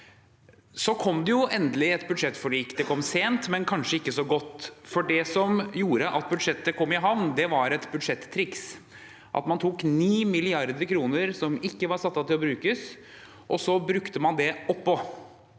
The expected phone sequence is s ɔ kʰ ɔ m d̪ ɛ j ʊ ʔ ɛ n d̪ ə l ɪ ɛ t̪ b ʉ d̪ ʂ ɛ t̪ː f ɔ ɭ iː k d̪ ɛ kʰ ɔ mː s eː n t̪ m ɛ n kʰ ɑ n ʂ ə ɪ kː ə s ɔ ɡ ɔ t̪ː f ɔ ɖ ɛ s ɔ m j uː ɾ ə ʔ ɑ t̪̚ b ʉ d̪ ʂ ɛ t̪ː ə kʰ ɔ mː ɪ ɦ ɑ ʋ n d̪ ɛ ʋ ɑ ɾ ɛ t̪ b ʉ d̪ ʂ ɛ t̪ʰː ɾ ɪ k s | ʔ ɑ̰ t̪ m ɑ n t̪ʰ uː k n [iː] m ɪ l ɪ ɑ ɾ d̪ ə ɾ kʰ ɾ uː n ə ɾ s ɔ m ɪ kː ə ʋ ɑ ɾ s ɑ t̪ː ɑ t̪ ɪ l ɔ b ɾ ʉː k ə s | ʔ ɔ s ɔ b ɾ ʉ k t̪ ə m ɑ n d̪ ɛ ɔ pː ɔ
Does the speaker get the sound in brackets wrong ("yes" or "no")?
no